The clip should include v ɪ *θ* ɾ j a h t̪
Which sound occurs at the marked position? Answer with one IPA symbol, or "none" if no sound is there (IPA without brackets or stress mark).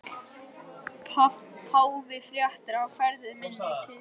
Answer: f